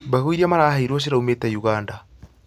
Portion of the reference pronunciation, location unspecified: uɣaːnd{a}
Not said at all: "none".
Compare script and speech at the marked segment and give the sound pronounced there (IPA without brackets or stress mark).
a